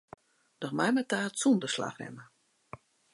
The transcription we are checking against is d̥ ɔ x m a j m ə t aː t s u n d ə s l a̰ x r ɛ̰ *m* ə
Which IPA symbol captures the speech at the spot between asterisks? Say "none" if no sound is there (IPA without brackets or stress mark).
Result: m